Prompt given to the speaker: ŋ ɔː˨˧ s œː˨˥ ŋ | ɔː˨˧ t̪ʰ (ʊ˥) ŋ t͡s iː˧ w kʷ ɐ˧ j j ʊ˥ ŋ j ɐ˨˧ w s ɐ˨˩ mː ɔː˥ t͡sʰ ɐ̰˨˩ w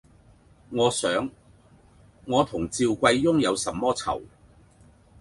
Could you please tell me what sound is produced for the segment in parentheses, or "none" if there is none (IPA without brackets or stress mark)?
ʊ˨˩